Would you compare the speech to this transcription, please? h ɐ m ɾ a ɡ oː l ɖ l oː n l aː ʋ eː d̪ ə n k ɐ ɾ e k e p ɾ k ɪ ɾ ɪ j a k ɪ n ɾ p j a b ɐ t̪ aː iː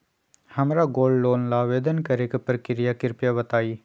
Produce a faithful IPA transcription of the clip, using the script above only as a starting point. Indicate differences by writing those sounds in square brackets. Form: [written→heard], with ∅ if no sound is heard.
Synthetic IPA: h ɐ m ɾ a ɡ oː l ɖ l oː n l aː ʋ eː d̪ ə n k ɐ ɾ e k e p ɾ k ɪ ɾ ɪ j a k ɪ [n→∅] ɾ p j a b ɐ t̪ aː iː